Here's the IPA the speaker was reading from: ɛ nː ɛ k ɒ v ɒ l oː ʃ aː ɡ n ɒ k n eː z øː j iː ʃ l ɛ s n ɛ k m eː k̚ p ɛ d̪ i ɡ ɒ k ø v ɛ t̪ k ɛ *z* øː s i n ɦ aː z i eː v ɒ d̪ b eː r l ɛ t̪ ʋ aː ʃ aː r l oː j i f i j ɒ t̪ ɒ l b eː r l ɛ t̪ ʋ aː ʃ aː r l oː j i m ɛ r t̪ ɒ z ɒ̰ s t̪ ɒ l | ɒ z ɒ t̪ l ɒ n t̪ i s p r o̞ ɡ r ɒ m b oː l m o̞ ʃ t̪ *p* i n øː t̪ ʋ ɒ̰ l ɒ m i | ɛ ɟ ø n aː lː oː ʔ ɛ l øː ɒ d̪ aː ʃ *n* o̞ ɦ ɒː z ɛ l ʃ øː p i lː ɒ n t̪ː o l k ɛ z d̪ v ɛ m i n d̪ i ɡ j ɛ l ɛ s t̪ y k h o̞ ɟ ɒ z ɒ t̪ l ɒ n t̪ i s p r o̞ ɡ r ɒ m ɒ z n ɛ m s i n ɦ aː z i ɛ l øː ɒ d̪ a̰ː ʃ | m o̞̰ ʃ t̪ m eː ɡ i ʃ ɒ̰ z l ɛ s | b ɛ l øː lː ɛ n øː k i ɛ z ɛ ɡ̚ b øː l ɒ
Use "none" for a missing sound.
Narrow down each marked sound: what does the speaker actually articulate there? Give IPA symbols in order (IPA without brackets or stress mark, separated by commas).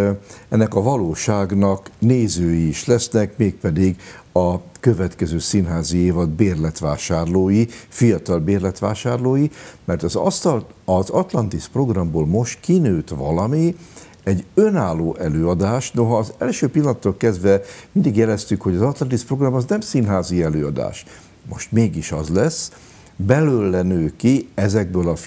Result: z, k, n